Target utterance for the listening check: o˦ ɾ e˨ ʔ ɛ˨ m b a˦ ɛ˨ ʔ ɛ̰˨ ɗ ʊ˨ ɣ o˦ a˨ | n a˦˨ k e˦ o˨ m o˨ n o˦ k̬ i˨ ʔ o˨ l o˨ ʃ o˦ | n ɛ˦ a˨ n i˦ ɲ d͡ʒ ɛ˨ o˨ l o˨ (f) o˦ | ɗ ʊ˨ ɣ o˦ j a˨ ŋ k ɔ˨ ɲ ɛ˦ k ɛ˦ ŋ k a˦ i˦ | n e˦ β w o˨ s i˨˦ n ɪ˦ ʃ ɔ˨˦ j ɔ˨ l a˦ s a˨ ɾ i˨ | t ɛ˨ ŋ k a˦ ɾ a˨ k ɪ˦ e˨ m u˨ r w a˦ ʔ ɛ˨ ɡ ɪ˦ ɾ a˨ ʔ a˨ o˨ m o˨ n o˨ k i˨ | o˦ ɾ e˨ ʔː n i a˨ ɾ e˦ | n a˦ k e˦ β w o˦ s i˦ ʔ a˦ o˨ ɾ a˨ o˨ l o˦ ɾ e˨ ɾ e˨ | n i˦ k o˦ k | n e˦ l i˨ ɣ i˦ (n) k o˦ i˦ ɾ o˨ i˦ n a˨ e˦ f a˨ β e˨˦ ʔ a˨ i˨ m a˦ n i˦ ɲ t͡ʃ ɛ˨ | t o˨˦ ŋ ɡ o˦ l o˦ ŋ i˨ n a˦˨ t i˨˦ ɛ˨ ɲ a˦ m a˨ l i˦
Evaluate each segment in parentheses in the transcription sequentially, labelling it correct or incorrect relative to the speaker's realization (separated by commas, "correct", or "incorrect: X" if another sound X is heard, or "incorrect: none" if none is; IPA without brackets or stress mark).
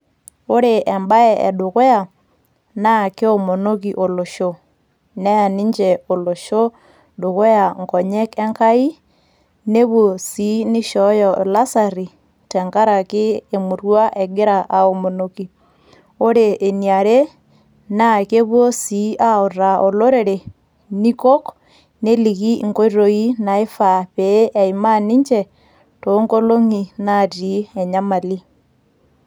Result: incorrect: ʃ, incorrect: ŋ